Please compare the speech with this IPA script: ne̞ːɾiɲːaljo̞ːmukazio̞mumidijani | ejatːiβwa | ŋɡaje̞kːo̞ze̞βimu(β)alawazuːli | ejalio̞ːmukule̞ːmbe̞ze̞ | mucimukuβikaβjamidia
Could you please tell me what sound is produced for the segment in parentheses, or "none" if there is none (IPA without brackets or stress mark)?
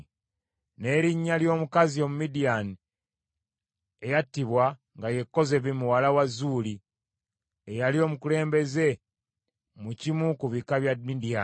w